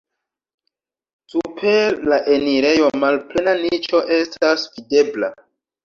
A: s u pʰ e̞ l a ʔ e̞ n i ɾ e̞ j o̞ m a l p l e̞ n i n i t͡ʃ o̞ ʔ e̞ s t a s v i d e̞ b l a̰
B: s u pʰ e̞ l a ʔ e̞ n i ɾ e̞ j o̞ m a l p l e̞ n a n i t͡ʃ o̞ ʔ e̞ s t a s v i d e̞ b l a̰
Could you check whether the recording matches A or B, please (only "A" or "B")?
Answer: B